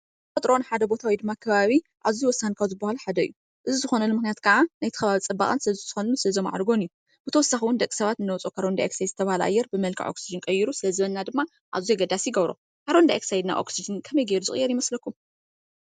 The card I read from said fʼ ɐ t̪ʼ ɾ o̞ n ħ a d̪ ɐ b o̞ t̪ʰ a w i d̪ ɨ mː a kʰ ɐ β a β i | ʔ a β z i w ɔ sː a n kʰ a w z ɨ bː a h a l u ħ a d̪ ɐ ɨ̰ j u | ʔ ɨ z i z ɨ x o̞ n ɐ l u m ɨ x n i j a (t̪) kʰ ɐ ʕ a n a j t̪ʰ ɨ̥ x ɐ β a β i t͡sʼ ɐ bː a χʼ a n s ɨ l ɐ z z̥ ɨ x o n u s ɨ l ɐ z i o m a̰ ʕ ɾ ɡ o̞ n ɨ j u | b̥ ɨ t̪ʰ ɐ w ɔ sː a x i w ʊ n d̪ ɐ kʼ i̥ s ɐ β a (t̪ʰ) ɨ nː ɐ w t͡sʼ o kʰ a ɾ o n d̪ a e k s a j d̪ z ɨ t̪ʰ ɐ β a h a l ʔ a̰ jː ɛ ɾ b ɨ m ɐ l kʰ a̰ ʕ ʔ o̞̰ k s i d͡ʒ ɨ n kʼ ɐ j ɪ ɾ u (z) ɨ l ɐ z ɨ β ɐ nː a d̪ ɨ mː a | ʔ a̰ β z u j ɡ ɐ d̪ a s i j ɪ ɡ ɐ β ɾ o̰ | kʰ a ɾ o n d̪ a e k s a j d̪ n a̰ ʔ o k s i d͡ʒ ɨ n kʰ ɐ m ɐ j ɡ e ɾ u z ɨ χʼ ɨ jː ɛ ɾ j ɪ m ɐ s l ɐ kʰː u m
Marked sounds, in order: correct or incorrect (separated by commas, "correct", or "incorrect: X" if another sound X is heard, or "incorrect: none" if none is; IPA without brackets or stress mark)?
correct, incorrect: t̪, incorrect: s